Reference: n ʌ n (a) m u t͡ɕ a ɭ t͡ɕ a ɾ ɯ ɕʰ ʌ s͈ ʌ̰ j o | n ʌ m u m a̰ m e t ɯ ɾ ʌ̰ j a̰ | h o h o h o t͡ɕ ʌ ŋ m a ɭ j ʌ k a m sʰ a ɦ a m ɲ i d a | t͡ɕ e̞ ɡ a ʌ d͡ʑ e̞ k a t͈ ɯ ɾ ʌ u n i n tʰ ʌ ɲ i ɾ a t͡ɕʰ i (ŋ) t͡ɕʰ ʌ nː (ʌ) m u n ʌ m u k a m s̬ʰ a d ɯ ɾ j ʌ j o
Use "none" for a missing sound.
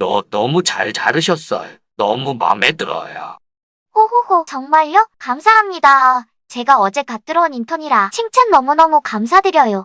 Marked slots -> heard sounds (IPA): ʌ, ŋ, ʌ

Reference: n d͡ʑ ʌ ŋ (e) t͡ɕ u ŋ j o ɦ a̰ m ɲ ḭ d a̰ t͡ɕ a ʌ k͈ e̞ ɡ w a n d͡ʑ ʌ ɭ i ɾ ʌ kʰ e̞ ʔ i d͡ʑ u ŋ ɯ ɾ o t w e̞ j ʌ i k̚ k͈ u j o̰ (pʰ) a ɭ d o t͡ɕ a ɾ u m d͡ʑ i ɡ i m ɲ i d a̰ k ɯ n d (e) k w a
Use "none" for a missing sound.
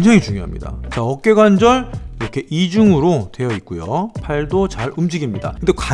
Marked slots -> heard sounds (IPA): i, pʰ, e

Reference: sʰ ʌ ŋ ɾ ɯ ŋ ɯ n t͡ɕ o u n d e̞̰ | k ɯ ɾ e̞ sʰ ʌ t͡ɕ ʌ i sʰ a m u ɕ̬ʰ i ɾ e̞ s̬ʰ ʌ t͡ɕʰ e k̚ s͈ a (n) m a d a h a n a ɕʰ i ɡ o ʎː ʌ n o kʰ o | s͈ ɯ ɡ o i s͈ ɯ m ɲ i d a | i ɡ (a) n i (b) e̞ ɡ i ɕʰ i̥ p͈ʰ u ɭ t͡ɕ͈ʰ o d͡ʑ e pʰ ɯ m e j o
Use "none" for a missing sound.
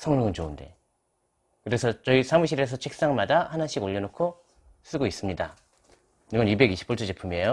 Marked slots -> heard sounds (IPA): ŋ, ʌ, b

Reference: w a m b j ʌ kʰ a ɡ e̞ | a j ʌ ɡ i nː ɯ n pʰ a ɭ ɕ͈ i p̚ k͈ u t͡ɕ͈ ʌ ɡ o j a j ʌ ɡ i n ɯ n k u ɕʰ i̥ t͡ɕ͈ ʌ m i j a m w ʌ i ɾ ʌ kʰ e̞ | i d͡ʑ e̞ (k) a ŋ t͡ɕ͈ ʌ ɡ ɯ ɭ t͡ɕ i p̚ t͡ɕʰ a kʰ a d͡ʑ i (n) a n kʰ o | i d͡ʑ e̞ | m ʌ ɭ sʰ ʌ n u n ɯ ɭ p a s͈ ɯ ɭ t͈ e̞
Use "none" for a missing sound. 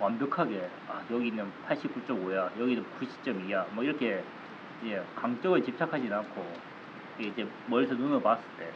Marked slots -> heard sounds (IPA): k, n

